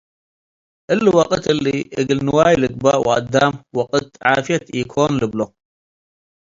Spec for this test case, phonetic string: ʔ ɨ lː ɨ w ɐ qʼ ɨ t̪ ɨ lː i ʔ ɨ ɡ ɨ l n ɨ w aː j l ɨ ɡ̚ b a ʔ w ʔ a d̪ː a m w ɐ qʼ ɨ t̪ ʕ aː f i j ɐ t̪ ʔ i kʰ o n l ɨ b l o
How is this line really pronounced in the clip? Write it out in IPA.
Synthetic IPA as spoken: ʔ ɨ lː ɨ w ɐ qʼ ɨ t̪ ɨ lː i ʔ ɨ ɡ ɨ l n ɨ w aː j l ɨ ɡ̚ b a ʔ w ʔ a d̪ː a m w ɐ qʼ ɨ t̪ ʕ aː f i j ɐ t̪ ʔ i kʰ o n l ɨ b l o